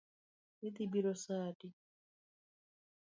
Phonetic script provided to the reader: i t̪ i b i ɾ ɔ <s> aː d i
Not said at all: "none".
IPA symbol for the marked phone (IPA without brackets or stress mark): s